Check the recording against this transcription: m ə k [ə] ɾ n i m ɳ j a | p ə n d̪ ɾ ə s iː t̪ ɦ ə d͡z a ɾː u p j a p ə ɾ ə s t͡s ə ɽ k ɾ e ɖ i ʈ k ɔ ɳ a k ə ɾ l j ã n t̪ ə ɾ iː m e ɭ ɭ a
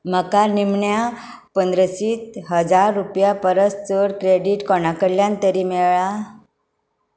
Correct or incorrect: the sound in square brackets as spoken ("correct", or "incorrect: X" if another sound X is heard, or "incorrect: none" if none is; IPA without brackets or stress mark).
incorrect: a